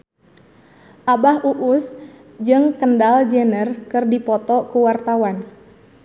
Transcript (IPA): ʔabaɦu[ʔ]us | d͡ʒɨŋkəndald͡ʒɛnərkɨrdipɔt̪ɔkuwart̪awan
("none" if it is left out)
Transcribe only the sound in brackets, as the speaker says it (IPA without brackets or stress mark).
ʔ